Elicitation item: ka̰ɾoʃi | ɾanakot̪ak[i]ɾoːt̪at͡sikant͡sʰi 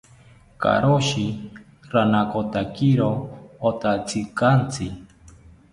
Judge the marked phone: correct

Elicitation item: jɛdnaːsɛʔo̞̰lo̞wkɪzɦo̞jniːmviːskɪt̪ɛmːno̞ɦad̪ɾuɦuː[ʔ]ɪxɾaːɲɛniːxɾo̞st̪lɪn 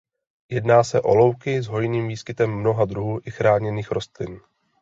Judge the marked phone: correct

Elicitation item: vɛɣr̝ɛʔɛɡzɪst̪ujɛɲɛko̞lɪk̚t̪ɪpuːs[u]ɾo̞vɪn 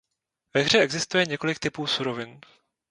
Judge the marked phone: correct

